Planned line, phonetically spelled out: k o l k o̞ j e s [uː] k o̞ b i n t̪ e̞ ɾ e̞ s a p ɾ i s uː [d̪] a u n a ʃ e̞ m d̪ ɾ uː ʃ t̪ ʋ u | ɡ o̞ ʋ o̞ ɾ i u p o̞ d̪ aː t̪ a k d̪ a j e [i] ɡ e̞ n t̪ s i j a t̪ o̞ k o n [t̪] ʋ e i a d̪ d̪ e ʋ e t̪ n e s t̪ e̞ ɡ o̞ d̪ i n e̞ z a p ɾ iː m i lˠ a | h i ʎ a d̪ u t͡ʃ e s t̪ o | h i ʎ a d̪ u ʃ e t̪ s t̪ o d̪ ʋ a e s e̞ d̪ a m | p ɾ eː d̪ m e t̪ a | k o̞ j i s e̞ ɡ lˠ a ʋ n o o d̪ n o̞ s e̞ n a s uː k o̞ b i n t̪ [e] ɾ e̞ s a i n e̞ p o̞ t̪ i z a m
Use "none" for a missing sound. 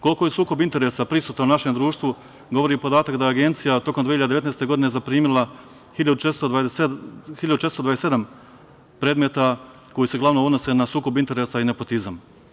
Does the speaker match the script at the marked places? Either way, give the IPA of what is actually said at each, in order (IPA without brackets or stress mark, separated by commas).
uː, t̪, a, d̪, e